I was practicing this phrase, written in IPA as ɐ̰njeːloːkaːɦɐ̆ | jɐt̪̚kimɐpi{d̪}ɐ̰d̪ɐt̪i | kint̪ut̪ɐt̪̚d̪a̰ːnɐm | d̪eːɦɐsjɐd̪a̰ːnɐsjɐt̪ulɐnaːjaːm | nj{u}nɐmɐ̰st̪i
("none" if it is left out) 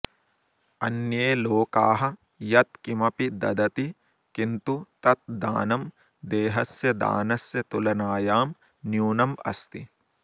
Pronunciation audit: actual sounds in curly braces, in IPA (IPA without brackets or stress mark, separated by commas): d̪, uː